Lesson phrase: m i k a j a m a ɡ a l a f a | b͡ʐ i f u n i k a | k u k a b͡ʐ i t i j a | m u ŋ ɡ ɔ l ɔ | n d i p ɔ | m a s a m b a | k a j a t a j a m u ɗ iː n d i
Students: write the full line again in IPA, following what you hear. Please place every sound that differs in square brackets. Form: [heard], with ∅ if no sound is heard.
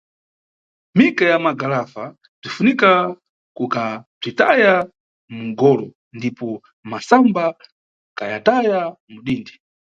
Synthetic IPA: m i k a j a m a ɡ a l a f a | b͡ʐ i f u n i k a | k u k a b͡ʐ i t [a] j a | m u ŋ ɡ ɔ l ɔ | n d i p ɔ | m a s a m b a | k a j a t a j a m u ɗ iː n d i

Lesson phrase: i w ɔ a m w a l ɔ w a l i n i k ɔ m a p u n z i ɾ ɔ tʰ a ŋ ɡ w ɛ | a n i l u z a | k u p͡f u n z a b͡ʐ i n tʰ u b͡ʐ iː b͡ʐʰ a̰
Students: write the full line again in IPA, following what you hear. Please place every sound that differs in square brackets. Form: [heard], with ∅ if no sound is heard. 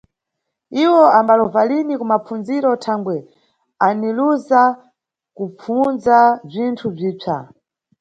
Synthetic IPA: i w ɔ a m [b] a l ɔ [v] a l i n i k [u] m a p u n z i ɾ ɔ tʰ a ŋ ɡ w ɛ | a n i l u z a | k u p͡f u n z a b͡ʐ i n tʰ u b͡ʐ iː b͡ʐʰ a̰

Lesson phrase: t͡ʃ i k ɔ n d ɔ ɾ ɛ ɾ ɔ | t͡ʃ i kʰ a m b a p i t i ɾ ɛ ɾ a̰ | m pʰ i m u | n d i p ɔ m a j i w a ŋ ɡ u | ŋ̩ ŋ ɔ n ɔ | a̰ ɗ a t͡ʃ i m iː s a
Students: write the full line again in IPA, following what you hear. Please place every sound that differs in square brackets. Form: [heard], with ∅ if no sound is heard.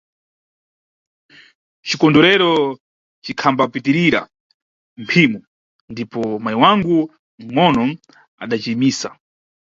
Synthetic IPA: t͡ʃ i k ɔ n d ɔ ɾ ɛ ɾ ɔ | t͡ʃ i kʰ a m b a p i t i ɾ [i] ɾ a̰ | m pʰ i m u | n d i p ɔ m a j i w a ŋ ɡ u | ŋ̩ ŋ ɔ n ɔ | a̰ ɗ a t͡ʃ i m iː s a

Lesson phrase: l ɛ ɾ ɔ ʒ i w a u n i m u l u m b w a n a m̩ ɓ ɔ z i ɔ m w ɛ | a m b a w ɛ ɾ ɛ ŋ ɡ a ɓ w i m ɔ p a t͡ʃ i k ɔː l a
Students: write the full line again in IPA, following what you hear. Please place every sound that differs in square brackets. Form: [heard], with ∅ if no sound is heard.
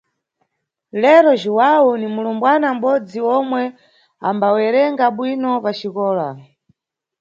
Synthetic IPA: l ɛ ɾ ɔ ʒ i w a u n i m u l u m b w a n a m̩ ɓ ɔ [d͡z] i ɔ m w ɛ | a m b a w ɛ ɾ ɛ ŋ ɡ a ɓ w i [n] ɔ p a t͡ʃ i k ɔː l a

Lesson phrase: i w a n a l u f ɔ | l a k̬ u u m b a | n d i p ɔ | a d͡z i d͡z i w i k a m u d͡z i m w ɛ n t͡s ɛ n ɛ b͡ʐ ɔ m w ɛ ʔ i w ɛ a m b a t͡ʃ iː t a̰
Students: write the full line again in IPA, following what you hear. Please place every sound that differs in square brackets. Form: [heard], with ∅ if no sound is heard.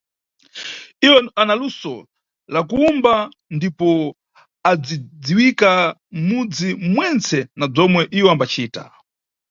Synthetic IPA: i w a n a l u [s] ɔ | l a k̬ u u m b a | n d i p ɔ | a d͡z i d͡z i w i k a m u d͡z i m w ɛ n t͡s ɛ n [a] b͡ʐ ɔ m w ɛ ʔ i w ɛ a m b a t͡ʃ iː t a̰

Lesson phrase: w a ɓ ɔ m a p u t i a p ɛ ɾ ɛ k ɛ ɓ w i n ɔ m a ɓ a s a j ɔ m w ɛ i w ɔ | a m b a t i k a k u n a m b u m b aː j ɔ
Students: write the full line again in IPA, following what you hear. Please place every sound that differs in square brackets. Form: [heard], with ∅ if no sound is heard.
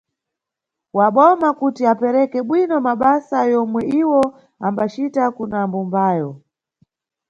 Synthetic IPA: w a ɓ ɔ m a [k] u t i a p ɛ ɾ ɛ k ɛ ɓ w i n ɔ m a ɓ a s a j ɔ m w ɛ i w ɔ | a m b a [t͡ʃ] i [t] a k u n a m b u m b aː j ɔ

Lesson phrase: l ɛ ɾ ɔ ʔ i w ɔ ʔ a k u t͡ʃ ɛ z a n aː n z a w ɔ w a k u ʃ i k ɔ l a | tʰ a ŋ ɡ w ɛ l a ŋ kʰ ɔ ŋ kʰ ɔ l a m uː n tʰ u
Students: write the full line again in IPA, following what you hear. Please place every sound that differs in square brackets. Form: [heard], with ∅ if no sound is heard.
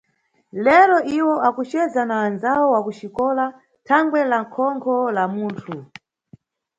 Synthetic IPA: l ɛ ɾ ɔ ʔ i w ɔ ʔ a k u t͡ʃ ɛ z a n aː n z a w ɔ w a k u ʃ i k ɔ l a | tʰ a ŋ ɡ w ɛ l a ŋ kʰ ɔ ŋ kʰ ɔ l a m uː n tʰ u

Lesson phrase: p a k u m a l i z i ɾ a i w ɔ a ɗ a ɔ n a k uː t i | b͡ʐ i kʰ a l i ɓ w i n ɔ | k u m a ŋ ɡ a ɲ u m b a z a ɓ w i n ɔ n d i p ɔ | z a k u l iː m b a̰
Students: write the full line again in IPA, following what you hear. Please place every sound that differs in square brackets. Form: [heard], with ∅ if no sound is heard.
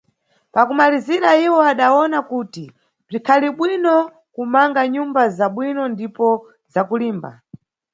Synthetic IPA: p a k u m a l i z i ɾ a i w ɔ a ɗ a ɔ n a k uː t i | b͡ʐ i kʰ a l i ɓ w i n ɔ | k u m a ŋ ɡ a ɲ u m b a z a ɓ w i n ɔ n d i p ɔ | z a k u l iː m b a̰

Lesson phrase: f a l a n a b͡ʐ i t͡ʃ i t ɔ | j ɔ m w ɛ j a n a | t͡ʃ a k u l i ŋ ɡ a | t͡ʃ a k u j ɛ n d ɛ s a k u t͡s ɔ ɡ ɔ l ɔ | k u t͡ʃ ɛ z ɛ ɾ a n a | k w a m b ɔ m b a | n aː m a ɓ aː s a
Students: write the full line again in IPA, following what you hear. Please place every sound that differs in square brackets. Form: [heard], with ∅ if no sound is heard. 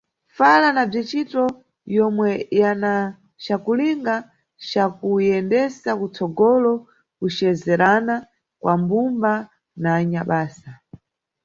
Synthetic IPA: f a l a n a b͡ʐ i t͡ʃ i t ɔ | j ɔ m w ɛ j a n a | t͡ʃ a k u l i ŋ ɡ a | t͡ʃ a k u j ɛ n d ɛ s a k u t͡s ɔ ɡ ɔ l ɔ | k u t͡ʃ ɛ z ɛ ɾ a n a | k w a m b [u] m b a | n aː [ɲ] a ɓ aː s a

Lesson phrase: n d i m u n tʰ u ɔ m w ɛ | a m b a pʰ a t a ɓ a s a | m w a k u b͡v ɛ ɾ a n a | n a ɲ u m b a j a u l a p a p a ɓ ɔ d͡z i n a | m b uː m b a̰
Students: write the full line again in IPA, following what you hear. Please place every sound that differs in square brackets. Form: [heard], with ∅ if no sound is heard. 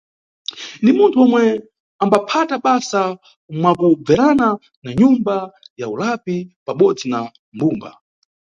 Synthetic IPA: n d i m u n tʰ u ɔ m w ɛ | a m b a pʰ a t a ɓ a s a | m w a k u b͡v ɛ ɾ a n a | n a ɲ u m b a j a u l a p [i] p a ɓ ɔ d͡z i n a | m b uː m b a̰

